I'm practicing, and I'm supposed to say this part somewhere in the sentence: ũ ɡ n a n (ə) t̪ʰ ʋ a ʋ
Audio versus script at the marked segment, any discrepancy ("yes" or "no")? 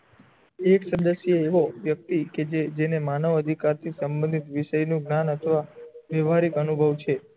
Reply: no